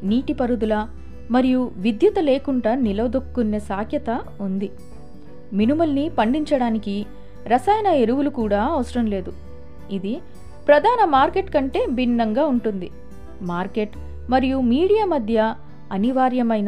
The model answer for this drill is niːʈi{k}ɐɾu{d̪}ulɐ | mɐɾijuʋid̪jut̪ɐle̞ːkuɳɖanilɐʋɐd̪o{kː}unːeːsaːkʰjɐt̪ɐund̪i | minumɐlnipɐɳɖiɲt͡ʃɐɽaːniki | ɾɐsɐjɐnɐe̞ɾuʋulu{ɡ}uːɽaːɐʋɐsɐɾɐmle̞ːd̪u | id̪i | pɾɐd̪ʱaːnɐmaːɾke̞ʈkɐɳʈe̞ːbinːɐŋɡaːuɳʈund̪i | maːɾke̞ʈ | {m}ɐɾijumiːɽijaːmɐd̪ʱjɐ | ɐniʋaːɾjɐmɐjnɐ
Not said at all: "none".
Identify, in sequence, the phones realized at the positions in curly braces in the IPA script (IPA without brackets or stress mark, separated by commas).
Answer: p, d̪, kː, k, m